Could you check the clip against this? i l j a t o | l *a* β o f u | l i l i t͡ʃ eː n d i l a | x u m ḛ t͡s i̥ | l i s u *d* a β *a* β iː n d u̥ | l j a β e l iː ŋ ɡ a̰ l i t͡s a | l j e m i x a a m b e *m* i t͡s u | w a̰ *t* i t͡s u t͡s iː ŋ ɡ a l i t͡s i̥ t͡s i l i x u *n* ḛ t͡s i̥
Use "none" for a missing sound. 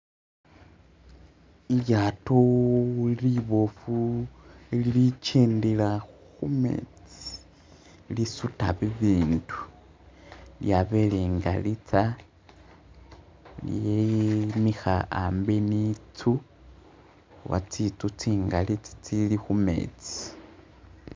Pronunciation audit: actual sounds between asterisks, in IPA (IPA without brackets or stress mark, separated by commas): i, t, i, n, t͡s, m